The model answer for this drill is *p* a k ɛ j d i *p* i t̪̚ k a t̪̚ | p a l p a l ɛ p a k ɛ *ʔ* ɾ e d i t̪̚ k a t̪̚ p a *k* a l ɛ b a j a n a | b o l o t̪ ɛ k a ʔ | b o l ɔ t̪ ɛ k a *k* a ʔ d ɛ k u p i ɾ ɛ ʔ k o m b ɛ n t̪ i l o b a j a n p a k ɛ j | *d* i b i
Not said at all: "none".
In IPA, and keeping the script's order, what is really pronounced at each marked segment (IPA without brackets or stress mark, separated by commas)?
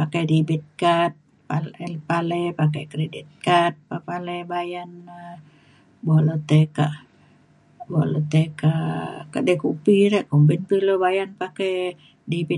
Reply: p, b, k, p, k, d